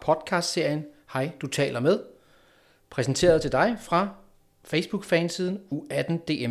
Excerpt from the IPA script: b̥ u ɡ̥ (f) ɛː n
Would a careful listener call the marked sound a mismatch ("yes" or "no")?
no